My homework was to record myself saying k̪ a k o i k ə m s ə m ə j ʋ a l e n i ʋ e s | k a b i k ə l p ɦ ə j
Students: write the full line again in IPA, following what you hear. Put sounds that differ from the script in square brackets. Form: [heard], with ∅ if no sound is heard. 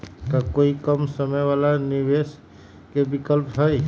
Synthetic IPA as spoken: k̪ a k o i k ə m s ə m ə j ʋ a l [a] n i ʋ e s | k [e] b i k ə l p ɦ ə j